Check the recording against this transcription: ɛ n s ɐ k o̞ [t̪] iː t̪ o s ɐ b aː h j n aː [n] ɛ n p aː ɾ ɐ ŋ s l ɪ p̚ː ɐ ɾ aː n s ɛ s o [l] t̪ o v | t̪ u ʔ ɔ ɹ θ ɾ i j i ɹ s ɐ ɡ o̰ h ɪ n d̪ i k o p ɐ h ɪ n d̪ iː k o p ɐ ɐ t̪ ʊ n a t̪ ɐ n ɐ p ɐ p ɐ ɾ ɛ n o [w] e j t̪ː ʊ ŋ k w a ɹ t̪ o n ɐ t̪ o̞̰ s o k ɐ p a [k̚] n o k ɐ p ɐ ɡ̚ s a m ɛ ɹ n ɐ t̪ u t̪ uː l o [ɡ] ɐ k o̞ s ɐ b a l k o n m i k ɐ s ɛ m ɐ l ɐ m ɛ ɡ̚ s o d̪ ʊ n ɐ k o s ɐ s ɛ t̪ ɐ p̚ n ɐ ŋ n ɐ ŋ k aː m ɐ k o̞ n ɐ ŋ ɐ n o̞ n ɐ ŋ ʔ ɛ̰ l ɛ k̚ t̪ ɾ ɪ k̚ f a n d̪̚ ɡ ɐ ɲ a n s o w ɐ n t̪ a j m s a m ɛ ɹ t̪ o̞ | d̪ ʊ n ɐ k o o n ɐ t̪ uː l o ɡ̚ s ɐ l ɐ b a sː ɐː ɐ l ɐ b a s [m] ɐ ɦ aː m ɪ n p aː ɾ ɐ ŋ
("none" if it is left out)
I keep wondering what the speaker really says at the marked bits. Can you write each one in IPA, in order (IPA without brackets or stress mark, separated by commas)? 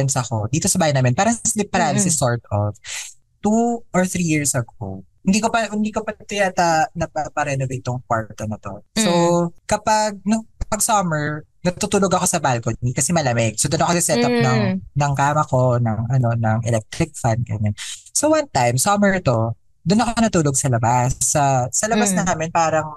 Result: d̪, m, ɹ, v, ɡ̚, ɡ, n